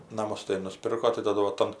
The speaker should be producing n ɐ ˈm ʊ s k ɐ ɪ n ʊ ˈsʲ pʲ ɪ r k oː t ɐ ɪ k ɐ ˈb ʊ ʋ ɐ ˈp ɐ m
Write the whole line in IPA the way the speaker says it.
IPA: n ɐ ˈm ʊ s t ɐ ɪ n ʊ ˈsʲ pʲ ɪ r k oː t ɐ ɪ t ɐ ˈd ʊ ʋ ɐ ˈt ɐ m

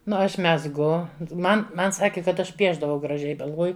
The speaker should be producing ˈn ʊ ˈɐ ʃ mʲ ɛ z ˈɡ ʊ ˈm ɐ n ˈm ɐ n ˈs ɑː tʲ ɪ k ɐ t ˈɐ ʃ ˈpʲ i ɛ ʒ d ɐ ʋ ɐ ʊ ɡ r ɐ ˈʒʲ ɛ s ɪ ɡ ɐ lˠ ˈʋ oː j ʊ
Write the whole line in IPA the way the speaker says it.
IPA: ˈn ʊ ˈɐ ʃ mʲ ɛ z ˈɡ ʊ ˈm ɐ n ˈm ɐ n ˈs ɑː kʲ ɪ k ɐ t ˈɐ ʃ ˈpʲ i ɛ ʒ d ɐ ʋ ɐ ʊ ɡ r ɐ ˈʒʲ ɛ ɪ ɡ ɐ lˠ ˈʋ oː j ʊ

